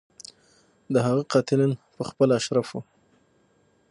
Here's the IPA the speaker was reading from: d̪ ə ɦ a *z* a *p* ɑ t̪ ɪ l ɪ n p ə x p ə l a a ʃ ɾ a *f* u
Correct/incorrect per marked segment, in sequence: incorrect, incorrect, correct

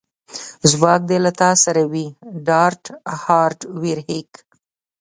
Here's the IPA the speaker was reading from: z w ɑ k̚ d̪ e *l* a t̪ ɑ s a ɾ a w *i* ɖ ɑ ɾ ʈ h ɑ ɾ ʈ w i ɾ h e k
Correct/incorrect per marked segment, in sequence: correct, correct

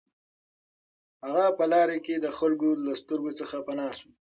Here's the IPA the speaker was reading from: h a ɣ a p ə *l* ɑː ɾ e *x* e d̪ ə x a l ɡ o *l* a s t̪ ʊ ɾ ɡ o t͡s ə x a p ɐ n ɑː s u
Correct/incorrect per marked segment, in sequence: correct, incorrect, correct

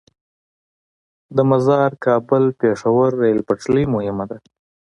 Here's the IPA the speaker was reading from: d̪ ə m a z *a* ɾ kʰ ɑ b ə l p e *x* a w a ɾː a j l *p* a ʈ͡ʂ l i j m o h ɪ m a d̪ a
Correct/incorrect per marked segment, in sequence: incorrect, incorrect, correct

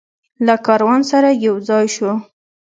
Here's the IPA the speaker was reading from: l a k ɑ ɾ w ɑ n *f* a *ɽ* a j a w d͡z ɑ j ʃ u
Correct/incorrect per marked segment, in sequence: incorrect, incorrect

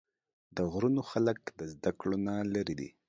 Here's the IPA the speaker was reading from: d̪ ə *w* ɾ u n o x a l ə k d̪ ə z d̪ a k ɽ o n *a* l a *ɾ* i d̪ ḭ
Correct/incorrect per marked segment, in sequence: incorrect, correct, correct

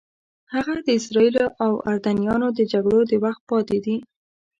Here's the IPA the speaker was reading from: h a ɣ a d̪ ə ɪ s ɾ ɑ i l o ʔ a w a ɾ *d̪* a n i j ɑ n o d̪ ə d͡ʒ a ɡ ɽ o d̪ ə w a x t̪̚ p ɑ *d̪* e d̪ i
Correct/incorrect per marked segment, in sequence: correct, incorrect

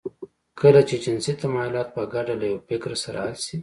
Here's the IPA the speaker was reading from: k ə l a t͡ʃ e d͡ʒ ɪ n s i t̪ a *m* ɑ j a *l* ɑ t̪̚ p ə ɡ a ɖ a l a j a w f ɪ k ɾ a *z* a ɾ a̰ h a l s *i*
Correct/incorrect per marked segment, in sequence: correct, correct, incorrect, correct

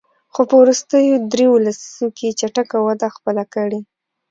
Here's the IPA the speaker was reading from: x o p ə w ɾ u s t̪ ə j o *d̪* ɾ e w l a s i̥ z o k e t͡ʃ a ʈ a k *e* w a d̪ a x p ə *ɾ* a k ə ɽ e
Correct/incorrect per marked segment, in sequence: correct, incorrect, incorrect

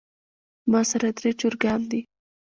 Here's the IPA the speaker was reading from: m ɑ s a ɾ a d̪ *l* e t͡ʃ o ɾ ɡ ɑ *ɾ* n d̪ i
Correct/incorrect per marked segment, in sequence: incorrect, incorrect

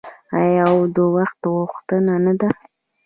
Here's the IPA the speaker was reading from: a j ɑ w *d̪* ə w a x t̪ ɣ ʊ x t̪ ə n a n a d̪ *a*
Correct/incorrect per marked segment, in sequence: correct, correct

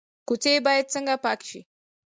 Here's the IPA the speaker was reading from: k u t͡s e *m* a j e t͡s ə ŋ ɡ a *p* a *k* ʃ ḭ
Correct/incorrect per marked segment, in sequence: incorrect, correct, correct

